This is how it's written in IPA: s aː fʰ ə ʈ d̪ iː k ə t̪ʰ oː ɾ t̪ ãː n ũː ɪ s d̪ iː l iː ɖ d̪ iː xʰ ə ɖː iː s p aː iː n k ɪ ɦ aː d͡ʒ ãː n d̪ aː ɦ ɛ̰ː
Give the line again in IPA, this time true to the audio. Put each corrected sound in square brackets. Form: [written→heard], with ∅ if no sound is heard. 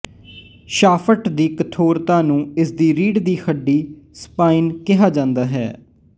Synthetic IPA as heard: [s→ʃ] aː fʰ ə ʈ d̪ iː k ə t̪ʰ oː ɾ t̪ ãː n ũː ɪ s d̪ iː [l→ɾ] iː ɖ d̪ iː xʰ ə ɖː iː s p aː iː n k ɪ ɦ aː d͡ʒ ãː n d̪ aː ɦ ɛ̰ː